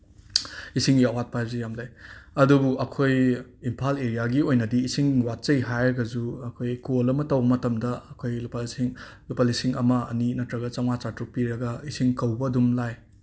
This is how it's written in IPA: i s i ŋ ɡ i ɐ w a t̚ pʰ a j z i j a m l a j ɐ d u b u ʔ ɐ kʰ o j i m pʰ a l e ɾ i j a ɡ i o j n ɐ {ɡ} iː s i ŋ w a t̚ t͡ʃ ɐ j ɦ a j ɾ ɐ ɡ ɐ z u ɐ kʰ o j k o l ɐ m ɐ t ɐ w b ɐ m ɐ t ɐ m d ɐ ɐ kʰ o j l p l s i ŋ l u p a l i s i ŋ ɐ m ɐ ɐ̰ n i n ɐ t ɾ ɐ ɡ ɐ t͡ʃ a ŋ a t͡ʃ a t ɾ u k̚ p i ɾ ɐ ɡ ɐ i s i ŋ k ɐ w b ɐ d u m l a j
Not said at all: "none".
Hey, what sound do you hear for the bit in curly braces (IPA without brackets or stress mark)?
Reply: d